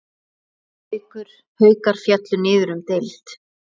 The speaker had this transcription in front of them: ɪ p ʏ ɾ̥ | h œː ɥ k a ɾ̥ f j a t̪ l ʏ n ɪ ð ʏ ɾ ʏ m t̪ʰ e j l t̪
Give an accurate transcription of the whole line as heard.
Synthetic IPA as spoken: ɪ k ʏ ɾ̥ | h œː ɥ k a ɾ̥ f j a t̪ l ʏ n ɪː ð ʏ ɾ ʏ m t̪ e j l t̪